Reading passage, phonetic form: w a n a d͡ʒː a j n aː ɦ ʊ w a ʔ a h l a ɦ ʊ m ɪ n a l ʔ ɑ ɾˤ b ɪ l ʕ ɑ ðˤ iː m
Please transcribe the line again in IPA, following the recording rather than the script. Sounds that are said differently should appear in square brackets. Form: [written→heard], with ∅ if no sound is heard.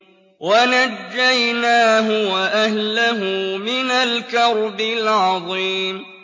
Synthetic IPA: w a n a d͡ʒː a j n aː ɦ ʊ w a ʔ a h l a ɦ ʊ m ɪ n a l [ʔ→k] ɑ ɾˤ b ɪ l ʕ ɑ ðˤ iː m